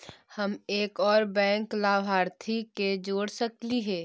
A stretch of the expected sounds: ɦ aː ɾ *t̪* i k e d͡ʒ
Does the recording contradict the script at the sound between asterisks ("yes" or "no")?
yes